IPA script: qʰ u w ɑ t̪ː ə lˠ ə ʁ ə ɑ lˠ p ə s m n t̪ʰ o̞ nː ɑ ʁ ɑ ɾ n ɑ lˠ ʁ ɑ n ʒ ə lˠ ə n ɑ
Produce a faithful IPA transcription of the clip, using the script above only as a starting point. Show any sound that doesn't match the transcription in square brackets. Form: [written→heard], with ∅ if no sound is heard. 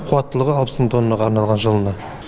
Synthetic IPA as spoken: qʰ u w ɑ t̪ː ə lˠ ə ʁ ə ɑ lˠ p ə s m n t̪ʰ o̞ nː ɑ ʁ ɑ ɾ n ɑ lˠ ʁ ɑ n ʒ ə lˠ ə n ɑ